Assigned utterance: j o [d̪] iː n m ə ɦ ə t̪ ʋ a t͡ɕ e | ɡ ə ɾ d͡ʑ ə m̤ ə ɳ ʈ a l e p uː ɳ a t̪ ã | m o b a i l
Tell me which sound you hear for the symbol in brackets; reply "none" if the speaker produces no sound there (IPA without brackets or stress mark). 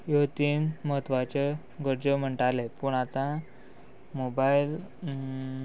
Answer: t̪